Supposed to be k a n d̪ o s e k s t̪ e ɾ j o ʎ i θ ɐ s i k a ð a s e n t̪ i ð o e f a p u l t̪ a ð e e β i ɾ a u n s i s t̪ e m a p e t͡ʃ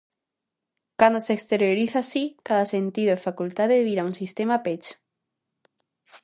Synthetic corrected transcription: k a n d̪ o s e k s t̪ e ɾ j o ɾ i θ a s i k a ð a s e n t̪ i ð o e f a k u l t̪ a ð e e β i ɾ a u n s i s t̪ e m a p e t͡ʃ